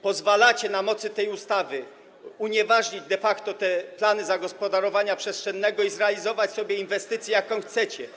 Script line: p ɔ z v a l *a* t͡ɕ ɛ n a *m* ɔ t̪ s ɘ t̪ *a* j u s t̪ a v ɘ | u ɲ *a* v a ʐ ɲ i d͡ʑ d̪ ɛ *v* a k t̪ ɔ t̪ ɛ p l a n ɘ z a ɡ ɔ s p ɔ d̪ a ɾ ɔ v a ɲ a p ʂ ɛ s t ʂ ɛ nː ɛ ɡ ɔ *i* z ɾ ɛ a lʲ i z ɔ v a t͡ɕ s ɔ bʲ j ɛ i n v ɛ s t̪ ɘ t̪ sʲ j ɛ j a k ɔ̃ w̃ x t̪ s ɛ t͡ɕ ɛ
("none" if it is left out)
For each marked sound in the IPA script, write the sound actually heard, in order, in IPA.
a, m, ɛ, ɛ, f, i

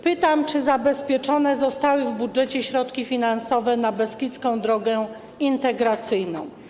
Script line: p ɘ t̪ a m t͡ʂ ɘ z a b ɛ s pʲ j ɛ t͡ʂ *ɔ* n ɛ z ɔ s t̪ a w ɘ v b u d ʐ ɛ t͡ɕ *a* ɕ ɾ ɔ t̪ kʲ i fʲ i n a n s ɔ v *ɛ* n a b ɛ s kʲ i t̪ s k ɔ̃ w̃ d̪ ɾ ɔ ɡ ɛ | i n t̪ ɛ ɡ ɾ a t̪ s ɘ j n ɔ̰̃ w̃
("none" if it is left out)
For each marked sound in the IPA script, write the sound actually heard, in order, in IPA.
ɔ, ɛ, ɛ

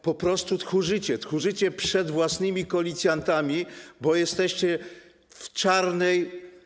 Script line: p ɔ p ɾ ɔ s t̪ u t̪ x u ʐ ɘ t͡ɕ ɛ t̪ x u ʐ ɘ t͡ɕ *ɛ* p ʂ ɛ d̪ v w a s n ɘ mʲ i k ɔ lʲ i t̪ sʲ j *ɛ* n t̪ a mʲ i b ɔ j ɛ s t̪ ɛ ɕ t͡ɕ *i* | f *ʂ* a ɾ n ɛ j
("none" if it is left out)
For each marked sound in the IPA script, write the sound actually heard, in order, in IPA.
ɛ, a, ɛ, t͡ʂ

